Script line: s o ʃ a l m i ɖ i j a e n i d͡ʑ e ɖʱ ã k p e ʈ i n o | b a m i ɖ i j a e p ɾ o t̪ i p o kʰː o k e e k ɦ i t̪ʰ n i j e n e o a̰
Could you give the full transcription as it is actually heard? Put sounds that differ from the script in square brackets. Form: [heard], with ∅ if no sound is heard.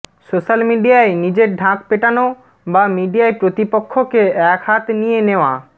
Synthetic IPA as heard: s o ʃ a l m i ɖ i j a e n i d͡ʑ e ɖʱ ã k p e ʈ [a] n o | b a m i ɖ i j a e p ɾ o t̪ i p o kʰː o k e [ɛ] k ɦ [a] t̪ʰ n i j e n e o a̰